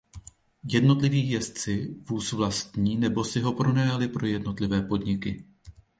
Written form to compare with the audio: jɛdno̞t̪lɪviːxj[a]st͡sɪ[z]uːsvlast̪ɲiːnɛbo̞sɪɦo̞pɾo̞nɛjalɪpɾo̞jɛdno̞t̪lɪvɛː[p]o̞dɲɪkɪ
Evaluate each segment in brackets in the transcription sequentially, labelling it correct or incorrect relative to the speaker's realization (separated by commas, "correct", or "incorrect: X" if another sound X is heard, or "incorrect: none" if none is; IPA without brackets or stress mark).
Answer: incorrect: ɛ, incorrect: v, correct